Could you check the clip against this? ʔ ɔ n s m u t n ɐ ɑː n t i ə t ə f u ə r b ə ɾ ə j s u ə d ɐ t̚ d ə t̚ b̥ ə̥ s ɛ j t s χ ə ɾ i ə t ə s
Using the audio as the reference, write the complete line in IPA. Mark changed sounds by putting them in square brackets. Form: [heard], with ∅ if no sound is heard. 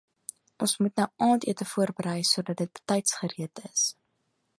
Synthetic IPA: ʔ ɔ n s m u t n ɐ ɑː n t i ə t ə f u ə r b ə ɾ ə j s u ə d ɐ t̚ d ə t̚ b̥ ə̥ [t] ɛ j t s χ ə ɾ i ə t ə s